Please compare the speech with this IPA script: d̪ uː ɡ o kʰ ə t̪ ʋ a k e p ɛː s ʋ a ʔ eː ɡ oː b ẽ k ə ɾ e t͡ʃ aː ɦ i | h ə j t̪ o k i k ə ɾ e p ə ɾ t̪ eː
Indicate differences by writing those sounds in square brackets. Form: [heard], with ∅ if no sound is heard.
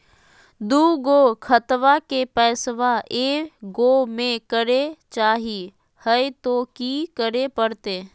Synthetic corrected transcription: d̪ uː ɡ o kʰ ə t̪ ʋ a k e p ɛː s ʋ a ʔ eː ɡ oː [m] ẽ k ə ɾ e t͡ʃ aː ɦ i | h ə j t̪ o k i k ə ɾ e p ə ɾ t̪ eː